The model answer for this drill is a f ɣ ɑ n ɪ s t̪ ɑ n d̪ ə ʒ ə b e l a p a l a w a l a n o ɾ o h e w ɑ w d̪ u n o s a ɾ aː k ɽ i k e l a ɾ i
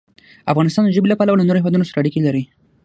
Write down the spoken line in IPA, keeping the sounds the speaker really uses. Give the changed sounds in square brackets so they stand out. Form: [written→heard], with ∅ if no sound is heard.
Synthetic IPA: a f ɣ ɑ n ɪ s t̪ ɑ n d̪ ə ʒ ə b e l a p a l a w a l a n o ɾ o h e w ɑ [w→∅] d̪ u n o s a ɾ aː [k→∅] ɽ i k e l a ɾ i